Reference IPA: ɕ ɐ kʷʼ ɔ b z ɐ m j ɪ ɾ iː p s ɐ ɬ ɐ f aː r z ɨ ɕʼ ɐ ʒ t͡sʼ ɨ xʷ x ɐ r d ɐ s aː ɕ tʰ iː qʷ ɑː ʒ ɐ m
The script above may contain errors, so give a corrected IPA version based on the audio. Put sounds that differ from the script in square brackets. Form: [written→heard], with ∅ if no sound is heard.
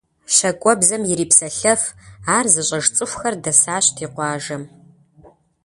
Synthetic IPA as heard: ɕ ɐ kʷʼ ɔ b z ɐ m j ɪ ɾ iː p s ɐ ɬ ɐ f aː r z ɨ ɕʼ ɐ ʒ t͡sʼ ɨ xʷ x ɐ r d ɐ s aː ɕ tʰ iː qʷ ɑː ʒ ɐ m